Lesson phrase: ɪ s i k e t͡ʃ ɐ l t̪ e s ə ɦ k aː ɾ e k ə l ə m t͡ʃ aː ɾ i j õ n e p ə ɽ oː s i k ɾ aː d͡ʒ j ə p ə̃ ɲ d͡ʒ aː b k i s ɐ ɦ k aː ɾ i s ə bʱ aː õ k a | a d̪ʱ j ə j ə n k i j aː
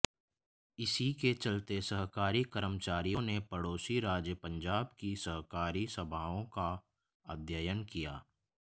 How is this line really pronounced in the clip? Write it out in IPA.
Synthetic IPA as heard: ɪ s i k e t͡ʃ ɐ l t̪ e s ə ɦ k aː ɾ i k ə ɾ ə m t͡ʃ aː ɾ i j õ n e p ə ɽ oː s i ɾ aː d͡ʒ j ə p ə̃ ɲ d͡ʒ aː b k i s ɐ ɦ k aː ɾ i s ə bʱ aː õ k a | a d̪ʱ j ə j ə n k i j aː